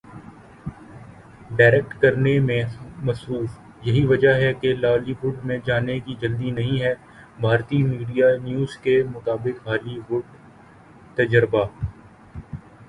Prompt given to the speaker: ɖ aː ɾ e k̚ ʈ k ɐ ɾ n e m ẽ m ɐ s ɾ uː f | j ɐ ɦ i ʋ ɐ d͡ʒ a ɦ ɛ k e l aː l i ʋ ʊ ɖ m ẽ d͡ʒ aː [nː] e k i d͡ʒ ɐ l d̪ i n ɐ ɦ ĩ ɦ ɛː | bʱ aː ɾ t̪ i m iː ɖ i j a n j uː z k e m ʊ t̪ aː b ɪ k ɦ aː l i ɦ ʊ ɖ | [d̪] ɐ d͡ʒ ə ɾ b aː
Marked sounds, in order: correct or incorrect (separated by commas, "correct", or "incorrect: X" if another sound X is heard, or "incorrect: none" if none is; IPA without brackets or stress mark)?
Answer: incorrect: n, incorrect: t̪